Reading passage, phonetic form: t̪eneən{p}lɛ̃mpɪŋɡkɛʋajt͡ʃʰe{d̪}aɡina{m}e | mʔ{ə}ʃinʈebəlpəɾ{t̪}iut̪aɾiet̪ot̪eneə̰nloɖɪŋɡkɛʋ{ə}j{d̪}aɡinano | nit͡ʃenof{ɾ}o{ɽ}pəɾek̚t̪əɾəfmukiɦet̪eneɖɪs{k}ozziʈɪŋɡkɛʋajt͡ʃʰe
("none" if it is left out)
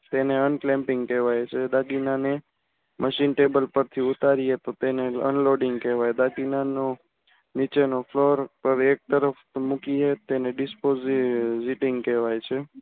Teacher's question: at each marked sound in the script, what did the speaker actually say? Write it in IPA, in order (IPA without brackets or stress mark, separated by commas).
k, d̪, n, ə, t̪ʰ, a, d̪, l, ɾ, p